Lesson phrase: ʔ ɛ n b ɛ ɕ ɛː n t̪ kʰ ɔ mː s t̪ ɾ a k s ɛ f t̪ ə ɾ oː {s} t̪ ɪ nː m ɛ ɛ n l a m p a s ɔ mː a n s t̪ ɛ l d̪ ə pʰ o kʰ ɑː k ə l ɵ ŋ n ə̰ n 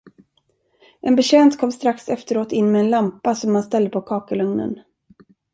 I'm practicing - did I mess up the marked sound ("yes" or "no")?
yes